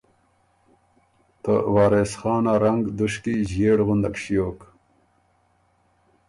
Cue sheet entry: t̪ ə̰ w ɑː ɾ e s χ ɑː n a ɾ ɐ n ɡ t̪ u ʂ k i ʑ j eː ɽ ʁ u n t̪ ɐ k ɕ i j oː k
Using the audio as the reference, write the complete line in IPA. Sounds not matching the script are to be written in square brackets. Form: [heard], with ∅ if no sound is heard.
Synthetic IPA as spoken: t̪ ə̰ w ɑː ɾ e s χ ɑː n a ɾ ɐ [ŋ] ɡ [d̪] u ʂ k i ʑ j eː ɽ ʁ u n [d̪] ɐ k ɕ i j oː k

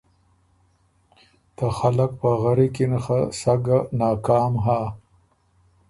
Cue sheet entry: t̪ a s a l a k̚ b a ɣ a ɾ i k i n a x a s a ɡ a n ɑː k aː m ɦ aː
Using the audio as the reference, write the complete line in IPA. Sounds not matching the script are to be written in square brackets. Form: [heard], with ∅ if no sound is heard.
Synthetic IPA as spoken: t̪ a [x] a l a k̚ [p] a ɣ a ɾ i k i n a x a s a ɡ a n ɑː k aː m ɦ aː

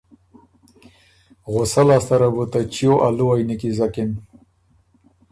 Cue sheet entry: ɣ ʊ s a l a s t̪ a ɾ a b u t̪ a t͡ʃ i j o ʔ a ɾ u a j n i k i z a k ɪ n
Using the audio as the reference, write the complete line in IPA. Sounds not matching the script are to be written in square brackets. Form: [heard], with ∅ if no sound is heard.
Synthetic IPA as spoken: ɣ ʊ s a l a s t̪ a ɾ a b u t̪ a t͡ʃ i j o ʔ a [l] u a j n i k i z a k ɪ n

